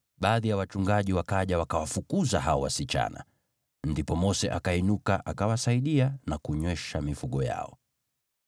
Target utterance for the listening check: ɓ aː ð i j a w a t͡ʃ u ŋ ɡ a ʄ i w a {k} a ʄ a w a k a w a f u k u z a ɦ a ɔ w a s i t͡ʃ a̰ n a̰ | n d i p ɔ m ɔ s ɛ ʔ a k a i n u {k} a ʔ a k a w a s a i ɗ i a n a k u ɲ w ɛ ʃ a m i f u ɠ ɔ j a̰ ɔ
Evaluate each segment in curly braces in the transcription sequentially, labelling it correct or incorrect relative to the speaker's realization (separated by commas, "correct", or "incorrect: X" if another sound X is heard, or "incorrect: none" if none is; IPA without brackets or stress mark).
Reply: correct, correct